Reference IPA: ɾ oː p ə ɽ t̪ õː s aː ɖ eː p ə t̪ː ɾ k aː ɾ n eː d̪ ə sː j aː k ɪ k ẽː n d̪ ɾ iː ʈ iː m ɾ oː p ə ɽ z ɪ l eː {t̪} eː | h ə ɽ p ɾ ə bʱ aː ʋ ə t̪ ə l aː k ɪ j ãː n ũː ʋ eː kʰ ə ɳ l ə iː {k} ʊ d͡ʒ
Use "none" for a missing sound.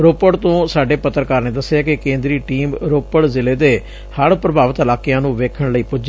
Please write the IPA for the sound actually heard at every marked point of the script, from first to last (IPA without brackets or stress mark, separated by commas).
d̪, p